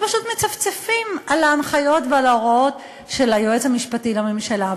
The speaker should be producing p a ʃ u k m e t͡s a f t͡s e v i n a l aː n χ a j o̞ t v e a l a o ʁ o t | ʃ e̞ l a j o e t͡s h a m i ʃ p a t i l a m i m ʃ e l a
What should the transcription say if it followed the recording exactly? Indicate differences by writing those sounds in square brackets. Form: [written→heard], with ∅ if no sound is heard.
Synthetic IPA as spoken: p a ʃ u [k→t] m e t͡s a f t͡s e [v→f] i [n→m] a l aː n χ a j o̞ t v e a l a o ʁ o t | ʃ e̞ l a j o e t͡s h a m i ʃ p a t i l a m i m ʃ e l a

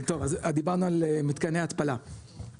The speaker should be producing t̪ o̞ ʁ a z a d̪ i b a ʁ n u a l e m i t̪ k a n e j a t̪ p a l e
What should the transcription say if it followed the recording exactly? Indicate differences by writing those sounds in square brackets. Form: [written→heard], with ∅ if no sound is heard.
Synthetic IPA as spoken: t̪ o̞ [ʁ→v] a z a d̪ i b a ʁ n u a l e m i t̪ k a n e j a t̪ p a l [e→a]

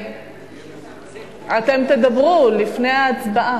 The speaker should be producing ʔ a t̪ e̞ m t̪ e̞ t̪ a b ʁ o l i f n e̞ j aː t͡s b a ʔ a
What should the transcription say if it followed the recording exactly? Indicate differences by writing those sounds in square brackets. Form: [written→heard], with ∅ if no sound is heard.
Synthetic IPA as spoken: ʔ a t̪ e̞ m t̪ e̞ [t̪→d̪] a b ʁ [o→u] l i f n e̞ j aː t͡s b a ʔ a

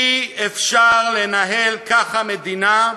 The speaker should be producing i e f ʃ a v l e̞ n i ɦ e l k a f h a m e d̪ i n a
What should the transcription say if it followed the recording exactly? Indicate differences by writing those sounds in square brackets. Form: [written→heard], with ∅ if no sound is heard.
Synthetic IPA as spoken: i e f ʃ a [v→ʁ] l e̞ n [i→a] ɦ e l k a [f→χ] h a m e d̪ i n a

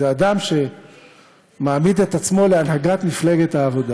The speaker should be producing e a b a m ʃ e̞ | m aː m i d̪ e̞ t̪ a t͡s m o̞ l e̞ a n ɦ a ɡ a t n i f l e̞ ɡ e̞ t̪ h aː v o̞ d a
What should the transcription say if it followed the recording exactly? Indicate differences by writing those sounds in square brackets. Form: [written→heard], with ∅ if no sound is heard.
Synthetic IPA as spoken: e a [b→d] a m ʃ e̞ | m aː m i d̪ e̞ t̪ a t͡s m o̞ l e̞ a n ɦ a ɡ a t [n→m] i f l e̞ ɡ e̞ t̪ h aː v o̞ d a

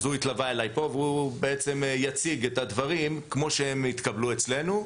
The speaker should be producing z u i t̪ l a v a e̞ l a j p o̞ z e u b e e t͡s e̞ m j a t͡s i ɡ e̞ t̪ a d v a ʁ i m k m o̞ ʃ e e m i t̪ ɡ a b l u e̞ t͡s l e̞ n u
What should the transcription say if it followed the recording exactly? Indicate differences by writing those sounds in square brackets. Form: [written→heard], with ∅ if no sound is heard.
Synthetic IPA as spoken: z u i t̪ l a v a e̞ l a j p o̞ [z→v] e u b e e t͡s e̞ m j a t͡s i ɡ e̞ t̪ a d v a ʁ i m k m o̞ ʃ e e m i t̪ [ɡ→k] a b l u e̞ t͡s l e̞ n u

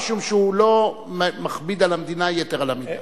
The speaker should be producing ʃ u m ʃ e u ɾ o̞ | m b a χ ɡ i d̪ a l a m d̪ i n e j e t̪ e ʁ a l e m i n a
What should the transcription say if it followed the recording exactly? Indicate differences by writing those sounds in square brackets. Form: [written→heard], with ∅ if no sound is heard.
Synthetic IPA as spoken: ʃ u m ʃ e u [ɾ→l] o̞ | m [b→m] a χ [ɡ→b] i d̪ a l a m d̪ i n [e→a] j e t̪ e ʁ a l [e→a] m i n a

